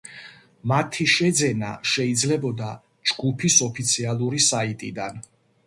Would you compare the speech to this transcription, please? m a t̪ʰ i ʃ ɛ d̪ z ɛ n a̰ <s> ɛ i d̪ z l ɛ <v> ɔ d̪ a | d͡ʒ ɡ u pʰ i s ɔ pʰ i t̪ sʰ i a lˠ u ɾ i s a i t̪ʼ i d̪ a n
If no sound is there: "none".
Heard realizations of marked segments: ʃ, b

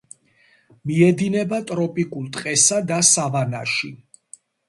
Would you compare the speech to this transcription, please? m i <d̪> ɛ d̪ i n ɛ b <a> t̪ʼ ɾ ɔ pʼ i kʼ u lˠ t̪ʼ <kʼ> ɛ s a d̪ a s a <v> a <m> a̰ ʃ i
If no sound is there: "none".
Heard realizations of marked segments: none, a, qʼ, v, n

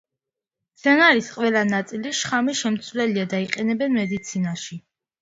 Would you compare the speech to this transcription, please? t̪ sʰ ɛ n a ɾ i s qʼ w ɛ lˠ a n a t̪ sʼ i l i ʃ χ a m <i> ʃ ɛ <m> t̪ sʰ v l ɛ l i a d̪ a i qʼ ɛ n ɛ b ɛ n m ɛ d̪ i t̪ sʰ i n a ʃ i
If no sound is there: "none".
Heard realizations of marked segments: i, m

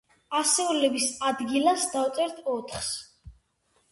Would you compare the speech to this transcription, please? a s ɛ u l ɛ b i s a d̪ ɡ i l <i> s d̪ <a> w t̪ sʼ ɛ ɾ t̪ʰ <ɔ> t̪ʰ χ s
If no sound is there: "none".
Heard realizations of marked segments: a, a, ɔ

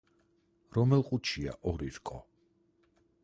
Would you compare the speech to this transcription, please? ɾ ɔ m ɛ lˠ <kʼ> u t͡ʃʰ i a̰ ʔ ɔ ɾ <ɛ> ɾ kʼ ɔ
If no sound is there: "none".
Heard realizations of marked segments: qʼ, i

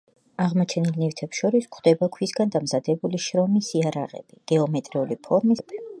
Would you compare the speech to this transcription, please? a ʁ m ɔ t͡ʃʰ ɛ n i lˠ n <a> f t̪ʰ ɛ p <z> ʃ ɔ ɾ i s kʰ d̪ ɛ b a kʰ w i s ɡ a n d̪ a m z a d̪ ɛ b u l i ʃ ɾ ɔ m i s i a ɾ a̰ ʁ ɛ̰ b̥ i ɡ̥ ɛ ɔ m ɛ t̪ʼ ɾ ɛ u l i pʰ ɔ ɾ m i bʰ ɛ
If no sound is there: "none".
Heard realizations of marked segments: i, s

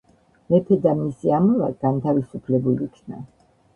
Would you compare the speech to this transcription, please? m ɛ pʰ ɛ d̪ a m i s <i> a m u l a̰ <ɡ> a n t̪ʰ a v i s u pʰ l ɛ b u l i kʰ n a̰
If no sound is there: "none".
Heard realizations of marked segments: i, ɡ

